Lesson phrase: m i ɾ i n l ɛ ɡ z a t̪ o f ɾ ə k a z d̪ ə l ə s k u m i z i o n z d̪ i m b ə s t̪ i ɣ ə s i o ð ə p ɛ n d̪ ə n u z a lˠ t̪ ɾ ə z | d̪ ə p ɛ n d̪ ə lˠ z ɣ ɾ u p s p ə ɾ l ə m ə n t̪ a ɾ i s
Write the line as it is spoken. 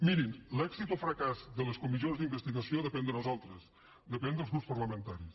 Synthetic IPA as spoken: m i ɾ i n l ɛ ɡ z i t̪ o f ɾ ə k a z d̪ ə l ə s k u m i z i o n z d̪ i m b ə s t̪ i ɣ ə s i o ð ə p ɛ n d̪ ə n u z a lˠ t̪ ɾ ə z | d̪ ə p ɛ n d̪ ə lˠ z ɣ ɾ u p s p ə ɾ l ə m ə n t̪ a ɾ i s